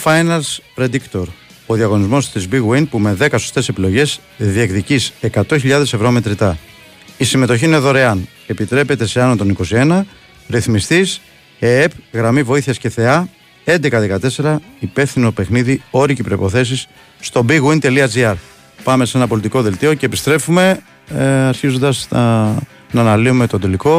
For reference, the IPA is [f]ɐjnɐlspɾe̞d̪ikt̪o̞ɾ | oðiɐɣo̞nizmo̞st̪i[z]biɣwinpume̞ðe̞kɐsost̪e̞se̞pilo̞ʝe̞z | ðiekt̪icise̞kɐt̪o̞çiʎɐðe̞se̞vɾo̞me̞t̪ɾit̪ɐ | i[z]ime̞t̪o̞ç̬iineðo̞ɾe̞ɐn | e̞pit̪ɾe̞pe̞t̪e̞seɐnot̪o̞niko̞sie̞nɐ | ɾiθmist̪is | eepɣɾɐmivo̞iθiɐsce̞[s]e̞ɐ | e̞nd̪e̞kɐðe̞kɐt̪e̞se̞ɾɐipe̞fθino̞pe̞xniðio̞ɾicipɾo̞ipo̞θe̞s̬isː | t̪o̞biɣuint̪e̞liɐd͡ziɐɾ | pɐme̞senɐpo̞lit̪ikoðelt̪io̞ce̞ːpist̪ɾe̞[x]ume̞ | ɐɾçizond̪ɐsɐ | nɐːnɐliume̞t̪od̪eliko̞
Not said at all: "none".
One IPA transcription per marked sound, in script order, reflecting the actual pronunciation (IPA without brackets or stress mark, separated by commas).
f, z, s, θ, f